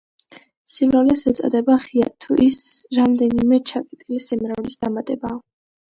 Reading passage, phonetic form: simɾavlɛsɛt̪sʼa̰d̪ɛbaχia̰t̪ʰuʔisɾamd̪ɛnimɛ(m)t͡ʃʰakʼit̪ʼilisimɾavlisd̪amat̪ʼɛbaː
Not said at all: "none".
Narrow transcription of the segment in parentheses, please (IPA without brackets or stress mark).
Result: none